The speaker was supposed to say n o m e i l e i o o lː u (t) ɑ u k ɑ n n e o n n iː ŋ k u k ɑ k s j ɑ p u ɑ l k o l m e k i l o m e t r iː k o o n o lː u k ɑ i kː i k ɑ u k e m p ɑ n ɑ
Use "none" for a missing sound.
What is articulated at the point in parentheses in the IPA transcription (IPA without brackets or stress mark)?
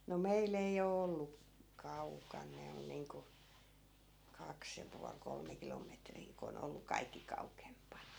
k